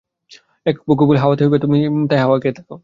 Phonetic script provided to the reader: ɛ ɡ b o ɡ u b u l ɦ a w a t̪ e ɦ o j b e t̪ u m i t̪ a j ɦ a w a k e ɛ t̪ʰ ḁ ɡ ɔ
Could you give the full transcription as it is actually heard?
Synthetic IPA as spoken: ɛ k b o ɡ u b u l ɦ a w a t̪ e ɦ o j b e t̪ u m i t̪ a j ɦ a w a k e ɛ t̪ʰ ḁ k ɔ